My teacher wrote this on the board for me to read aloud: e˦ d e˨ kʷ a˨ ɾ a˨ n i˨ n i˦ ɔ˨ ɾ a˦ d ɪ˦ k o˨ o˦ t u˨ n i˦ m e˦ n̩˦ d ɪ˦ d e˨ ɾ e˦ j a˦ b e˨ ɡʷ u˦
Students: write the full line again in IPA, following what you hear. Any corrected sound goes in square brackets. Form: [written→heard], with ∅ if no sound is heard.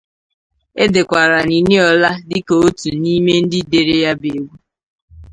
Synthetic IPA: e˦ d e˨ kʷ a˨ ɾ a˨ n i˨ n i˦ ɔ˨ [ɾ→l] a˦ d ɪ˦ k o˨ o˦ t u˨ n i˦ m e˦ n̩˦ d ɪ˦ d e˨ ɾ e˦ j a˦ b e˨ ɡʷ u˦